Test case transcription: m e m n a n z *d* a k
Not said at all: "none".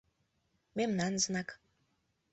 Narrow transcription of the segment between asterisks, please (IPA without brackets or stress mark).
n